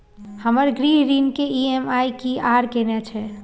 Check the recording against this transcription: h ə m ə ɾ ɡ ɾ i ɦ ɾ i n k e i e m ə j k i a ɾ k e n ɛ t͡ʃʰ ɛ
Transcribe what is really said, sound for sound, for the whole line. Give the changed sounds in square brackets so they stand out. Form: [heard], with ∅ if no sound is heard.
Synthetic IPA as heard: h ə m ə ɾ ɡ ɾ i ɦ ɾ i n k e i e m [a] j k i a ɾ k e n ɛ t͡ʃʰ ɛ